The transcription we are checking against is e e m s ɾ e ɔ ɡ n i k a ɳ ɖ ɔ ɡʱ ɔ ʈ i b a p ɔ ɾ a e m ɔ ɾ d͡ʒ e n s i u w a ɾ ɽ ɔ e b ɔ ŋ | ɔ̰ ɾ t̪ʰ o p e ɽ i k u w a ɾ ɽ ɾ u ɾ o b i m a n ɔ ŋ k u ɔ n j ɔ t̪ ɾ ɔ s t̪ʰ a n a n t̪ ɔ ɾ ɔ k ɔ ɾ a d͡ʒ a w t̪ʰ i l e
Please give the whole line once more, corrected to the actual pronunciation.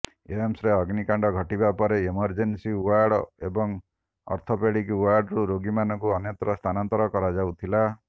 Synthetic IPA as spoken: e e m s ɾ e ɔ ɡ n i k a ɳ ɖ ɔ ɡʱ ɔ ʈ i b a p ɔ ɾ e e m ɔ ɾ d͡ʒ e n s i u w a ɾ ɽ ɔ e b ɔ ŋ | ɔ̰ ɾ t̪ʰ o p e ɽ i k u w a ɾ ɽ ɾ u ɾ o ɡ i m a n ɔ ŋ k u ɔ n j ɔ t̪ ɾ ɔ s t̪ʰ a n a n t̪ ɔ ɾ ɔ k ɔ ɾ a d͡ʒ a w t̪ʰ i l a